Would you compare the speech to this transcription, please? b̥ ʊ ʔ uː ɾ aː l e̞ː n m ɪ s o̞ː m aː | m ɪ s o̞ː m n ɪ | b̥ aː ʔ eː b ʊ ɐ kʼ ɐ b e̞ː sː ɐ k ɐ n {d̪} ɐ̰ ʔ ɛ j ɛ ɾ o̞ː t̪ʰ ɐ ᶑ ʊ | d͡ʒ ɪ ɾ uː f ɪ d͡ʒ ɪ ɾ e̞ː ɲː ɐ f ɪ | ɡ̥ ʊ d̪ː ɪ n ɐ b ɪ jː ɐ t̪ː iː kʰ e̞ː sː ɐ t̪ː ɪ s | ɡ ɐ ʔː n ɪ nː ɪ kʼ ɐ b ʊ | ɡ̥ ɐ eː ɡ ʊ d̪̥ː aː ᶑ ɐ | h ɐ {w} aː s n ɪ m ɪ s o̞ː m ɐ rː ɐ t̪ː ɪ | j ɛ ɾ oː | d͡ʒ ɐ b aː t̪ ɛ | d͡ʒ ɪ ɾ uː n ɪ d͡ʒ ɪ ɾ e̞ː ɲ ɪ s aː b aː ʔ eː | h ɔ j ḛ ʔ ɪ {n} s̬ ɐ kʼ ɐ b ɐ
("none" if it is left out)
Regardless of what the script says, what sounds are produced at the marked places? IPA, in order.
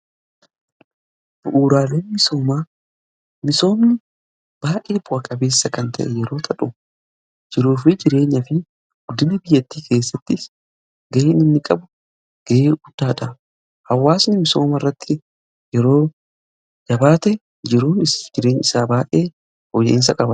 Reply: t̪, wː, n

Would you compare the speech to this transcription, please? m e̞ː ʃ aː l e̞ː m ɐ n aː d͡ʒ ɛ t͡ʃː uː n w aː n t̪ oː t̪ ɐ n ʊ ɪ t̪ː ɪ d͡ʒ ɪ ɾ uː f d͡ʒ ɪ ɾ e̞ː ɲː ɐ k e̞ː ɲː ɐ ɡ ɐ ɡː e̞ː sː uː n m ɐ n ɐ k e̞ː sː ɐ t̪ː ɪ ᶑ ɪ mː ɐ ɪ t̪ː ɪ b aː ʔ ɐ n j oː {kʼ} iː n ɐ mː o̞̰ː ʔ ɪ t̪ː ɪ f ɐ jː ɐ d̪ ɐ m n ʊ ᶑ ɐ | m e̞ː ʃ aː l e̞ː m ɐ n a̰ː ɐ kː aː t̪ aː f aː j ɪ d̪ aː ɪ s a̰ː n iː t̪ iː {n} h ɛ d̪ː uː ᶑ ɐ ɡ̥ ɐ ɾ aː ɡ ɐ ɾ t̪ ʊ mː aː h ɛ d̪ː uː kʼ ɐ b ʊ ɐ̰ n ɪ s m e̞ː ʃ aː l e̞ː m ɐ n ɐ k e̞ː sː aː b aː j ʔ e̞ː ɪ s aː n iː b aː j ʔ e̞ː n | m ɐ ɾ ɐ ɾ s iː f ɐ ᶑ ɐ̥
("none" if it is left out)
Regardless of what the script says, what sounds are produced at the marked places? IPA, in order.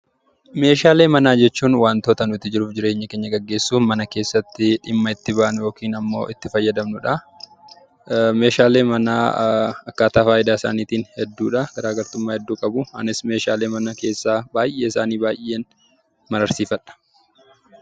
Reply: k, n

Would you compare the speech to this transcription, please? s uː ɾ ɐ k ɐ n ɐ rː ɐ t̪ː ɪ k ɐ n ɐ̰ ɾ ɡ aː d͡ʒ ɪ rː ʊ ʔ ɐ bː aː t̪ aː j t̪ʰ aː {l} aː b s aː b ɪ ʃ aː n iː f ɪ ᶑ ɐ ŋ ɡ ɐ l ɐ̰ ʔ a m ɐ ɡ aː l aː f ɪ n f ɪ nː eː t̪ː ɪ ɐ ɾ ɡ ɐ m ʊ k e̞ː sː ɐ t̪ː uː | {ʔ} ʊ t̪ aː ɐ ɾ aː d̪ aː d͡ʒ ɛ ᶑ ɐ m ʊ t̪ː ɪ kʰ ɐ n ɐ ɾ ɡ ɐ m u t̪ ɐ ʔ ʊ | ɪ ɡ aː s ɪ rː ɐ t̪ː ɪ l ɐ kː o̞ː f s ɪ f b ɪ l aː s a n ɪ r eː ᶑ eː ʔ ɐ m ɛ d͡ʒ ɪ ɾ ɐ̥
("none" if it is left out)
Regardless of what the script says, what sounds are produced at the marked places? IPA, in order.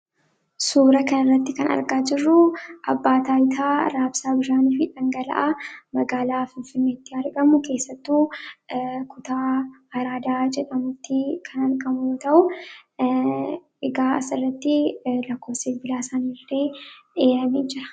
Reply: ɾ, k

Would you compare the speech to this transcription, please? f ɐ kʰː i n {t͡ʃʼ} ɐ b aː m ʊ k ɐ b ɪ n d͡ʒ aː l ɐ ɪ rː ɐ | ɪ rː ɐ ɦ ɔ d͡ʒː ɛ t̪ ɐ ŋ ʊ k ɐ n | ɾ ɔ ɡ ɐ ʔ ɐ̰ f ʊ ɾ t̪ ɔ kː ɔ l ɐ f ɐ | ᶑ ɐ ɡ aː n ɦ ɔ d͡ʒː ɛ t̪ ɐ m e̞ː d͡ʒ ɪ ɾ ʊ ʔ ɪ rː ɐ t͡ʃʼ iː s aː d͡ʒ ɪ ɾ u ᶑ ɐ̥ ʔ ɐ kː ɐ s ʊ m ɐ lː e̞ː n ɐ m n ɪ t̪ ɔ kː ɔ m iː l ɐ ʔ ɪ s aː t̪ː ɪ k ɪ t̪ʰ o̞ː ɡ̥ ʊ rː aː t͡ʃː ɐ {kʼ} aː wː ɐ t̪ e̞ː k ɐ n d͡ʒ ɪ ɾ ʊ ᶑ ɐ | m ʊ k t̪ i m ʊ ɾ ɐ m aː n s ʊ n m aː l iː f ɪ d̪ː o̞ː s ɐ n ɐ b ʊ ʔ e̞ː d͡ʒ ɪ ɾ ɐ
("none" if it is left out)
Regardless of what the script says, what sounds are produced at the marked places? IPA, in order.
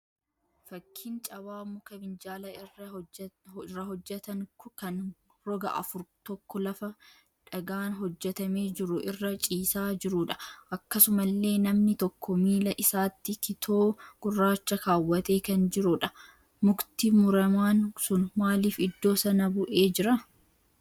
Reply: t͡ʃʼ, k

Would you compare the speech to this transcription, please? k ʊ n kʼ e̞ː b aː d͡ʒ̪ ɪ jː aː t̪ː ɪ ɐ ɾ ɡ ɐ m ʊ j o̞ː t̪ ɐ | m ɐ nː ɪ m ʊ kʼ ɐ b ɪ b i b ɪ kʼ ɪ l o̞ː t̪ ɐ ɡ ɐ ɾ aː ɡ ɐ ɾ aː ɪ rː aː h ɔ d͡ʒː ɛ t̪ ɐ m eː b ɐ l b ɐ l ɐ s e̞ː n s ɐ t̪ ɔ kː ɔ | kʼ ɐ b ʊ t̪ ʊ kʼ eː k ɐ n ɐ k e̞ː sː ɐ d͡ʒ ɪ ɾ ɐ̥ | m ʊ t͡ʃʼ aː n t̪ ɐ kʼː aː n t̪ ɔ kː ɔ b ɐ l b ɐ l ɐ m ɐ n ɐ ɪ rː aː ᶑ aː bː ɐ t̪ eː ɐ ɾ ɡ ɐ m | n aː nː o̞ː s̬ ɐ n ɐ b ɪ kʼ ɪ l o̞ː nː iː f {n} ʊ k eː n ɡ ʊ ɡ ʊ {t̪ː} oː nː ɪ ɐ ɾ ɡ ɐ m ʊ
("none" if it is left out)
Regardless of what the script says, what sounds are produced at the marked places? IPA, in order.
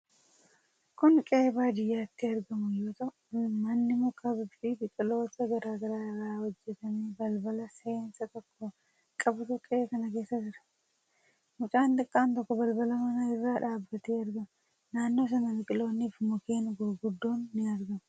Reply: m, d̪ː

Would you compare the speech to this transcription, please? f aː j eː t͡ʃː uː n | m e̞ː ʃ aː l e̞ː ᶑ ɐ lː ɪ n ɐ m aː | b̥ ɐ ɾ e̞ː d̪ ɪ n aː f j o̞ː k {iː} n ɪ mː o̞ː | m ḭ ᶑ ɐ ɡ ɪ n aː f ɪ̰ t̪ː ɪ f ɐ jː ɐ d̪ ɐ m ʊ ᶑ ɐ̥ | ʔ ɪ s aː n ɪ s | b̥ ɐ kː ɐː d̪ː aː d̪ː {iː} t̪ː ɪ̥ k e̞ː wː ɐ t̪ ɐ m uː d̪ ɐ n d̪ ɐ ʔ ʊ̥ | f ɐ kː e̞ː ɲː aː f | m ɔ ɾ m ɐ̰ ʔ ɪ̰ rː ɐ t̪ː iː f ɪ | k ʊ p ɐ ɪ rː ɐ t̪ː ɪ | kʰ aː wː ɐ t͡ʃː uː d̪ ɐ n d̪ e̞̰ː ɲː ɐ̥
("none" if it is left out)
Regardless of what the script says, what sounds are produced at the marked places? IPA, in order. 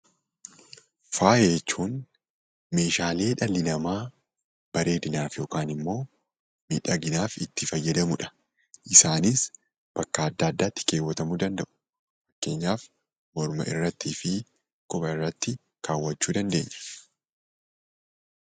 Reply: aː, aː

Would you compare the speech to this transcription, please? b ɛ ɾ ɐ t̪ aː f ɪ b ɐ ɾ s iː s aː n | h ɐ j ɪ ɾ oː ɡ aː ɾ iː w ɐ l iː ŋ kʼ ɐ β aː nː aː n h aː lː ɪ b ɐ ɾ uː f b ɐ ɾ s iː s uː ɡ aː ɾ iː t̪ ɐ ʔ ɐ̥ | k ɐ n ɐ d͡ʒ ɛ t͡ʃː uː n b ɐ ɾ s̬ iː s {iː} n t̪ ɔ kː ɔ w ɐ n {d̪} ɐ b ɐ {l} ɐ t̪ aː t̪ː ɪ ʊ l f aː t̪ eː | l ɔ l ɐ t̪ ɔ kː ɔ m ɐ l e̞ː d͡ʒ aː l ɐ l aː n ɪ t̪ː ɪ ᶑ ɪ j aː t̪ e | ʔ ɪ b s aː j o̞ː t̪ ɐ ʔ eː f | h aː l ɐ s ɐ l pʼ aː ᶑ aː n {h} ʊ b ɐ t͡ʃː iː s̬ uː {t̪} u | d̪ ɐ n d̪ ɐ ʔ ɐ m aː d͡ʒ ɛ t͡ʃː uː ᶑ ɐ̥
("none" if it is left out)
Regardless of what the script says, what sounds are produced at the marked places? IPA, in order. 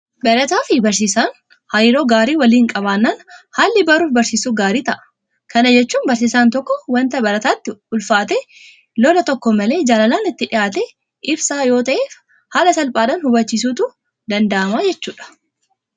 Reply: aː, t̪, ɾ, h, t̪

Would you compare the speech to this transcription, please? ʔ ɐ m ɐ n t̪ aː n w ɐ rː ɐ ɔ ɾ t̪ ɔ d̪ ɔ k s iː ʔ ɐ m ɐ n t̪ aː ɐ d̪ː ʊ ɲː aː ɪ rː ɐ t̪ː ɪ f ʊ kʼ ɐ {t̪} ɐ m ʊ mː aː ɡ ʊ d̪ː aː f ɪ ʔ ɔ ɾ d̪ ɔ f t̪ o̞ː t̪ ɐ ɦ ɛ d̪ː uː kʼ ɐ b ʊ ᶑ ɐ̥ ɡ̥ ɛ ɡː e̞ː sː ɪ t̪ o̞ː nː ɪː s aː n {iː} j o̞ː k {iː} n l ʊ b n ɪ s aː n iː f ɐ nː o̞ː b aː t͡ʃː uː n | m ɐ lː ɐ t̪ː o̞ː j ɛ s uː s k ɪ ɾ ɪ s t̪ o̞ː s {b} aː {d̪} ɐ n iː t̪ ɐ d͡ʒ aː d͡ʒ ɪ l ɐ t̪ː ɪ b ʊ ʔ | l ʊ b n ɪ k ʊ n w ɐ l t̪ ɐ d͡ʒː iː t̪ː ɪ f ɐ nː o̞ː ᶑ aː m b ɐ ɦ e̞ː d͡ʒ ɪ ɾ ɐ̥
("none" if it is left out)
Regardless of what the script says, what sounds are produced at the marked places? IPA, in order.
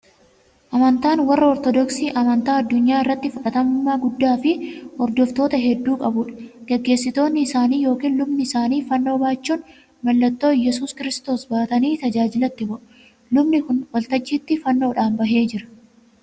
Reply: t̪, iː, iː, b, t̪

